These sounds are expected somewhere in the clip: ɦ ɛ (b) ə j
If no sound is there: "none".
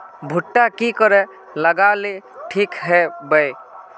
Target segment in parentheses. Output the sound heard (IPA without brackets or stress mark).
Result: b